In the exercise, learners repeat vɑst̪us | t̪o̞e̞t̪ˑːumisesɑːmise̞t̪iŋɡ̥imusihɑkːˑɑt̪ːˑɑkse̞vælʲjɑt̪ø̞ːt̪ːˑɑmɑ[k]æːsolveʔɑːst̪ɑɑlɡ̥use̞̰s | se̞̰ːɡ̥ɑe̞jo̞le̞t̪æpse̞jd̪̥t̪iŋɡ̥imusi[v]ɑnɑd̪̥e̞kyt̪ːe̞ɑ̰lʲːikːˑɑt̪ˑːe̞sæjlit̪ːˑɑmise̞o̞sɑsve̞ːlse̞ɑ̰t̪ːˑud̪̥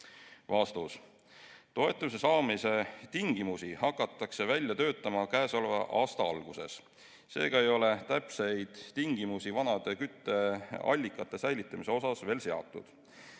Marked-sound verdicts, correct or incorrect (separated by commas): correct, correct